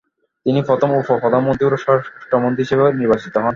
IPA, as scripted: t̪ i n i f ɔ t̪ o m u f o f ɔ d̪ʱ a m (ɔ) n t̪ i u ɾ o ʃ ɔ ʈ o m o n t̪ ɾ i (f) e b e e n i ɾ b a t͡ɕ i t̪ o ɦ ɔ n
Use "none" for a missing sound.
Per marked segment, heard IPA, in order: o, ʃ

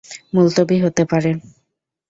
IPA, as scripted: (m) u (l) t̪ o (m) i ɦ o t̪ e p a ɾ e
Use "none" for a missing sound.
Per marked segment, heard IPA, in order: m, l, b

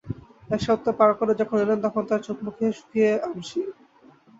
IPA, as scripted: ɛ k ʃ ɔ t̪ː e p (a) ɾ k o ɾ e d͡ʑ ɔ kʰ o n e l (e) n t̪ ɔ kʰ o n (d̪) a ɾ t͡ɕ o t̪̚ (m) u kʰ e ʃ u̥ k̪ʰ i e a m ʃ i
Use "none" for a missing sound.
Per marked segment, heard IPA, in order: a, e, t̪, m

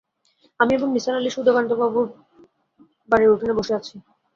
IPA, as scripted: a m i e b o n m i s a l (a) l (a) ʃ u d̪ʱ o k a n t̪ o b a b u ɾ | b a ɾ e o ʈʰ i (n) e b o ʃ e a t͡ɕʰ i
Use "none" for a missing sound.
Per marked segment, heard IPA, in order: a, i, n

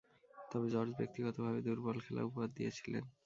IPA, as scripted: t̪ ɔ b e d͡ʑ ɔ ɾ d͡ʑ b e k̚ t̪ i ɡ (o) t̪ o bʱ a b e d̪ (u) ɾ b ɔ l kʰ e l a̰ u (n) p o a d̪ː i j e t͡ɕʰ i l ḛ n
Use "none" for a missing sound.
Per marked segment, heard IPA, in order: ɔ, u, none

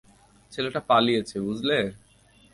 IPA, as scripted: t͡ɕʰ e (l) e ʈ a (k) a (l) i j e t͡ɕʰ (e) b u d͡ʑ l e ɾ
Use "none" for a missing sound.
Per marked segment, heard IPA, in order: l, p, l, e

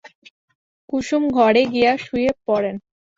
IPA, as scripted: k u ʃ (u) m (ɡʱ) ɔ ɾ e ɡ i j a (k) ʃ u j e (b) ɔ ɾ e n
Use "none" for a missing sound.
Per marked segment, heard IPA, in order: u, ɡʱ, none, p

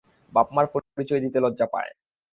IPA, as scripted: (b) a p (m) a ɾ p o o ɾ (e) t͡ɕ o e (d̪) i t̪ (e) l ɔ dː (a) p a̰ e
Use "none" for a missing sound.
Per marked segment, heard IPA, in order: b, m, i, d̪, e, a

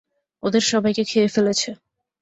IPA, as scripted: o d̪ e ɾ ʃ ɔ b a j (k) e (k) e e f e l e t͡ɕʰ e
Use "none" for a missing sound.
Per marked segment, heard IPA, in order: k, kʰ

